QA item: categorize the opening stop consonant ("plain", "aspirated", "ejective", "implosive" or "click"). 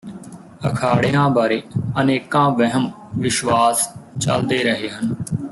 aspirated